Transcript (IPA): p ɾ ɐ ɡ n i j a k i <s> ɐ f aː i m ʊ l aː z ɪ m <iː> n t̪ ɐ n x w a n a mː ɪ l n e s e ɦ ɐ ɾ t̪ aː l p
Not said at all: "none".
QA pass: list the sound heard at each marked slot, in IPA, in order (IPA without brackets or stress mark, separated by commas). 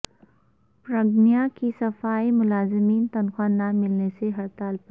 s, iː